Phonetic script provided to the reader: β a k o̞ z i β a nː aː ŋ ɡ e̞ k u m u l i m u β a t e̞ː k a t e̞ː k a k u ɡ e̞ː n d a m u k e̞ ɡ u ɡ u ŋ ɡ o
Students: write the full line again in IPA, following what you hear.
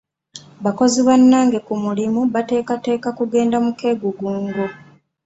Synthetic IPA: β a k o̞ z i β a nː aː ŋ ɡ e̞ k u m u l i m u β a t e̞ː k a t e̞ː k a k u ɡ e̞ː n d a m u k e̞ ɡ u ɡ uː ŋ ɡ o